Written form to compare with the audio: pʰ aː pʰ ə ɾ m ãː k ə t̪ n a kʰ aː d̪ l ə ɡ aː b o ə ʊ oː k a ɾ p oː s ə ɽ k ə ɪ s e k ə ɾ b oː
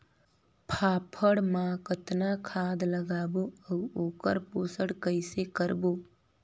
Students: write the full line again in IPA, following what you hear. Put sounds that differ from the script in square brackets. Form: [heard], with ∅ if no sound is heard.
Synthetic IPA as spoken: pʰ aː pʰ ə [ɽ] m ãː k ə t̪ n a kʰ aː d̪ l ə ɡ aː b o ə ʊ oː k [ə] ɾ p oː s ə ɽ k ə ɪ s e k ə ɾ b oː